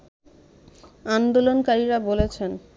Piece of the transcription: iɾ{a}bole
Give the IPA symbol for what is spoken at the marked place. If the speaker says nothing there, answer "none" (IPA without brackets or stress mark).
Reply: a